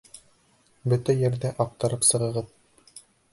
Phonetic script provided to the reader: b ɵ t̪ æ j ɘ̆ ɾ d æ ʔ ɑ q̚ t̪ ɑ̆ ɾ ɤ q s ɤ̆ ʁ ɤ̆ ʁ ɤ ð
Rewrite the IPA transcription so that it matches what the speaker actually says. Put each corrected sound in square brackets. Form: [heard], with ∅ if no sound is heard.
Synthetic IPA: b ɵ t̪ æ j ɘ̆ ɾ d æ ʔ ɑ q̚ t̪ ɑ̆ ɾ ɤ [p] s ɤ̆ ʁ ɤ̆ ʁ ɤ ð